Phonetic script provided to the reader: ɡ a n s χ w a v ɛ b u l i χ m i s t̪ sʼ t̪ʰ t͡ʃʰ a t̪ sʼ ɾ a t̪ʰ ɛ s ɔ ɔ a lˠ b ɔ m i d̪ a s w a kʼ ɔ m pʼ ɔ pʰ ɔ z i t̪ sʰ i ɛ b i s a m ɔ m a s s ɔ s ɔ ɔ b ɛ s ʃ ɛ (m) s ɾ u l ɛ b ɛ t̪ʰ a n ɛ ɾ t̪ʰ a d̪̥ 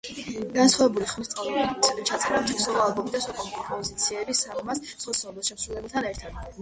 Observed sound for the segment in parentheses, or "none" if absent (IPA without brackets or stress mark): m